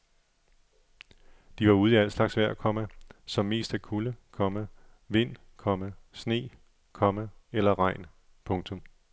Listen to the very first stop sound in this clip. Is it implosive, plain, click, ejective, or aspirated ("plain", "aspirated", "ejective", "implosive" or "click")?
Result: plain